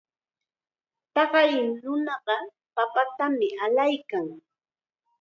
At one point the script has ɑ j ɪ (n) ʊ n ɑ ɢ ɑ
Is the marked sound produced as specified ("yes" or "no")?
yes